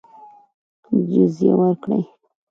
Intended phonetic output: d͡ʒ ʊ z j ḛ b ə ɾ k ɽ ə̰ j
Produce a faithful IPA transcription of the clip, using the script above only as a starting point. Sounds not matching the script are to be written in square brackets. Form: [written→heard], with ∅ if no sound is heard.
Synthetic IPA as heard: d͡ʒ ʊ z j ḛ [b→w] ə ɾ k ɽ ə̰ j